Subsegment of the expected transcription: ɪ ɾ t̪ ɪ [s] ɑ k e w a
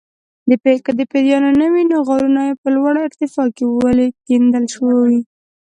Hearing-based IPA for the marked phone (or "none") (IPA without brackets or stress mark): f